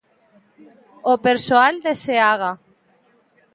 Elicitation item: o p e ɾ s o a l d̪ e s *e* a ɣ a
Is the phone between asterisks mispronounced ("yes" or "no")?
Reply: no